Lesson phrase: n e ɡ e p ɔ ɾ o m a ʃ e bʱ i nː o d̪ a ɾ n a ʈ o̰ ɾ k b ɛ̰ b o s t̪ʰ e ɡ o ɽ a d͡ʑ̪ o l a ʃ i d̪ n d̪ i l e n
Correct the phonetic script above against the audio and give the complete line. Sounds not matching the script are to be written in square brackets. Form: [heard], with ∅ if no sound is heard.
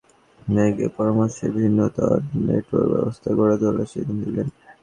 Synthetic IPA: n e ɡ e p ɔ ɾ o m a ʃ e bʱ i nː o [t̪] a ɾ n [e] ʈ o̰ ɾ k b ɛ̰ b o s t̪ʰ [a] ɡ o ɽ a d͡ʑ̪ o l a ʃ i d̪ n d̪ i l e n